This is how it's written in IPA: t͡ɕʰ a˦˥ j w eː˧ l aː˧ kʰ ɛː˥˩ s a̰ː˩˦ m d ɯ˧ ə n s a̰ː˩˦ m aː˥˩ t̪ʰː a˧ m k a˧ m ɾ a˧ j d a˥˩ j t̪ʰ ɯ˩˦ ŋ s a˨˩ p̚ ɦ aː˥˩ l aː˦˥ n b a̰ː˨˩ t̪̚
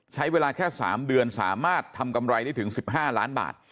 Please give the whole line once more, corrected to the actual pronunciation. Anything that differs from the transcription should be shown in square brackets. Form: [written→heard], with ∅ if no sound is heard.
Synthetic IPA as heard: t͡ɕʰ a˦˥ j w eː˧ l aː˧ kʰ ɛː˥˩ s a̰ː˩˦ m d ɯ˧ ə n s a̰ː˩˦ m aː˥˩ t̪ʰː a˧ m k a˧ m ɾ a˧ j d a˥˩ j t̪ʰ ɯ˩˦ ŋ s [a˨˩→i˨˩] p̚ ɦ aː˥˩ l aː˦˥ n b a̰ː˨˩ t̪̚